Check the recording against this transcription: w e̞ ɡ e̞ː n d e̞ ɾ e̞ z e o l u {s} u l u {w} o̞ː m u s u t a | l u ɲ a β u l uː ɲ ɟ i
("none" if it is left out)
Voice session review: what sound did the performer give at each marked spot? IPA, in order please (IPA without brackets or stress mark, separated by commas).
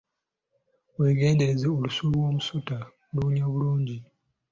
s, w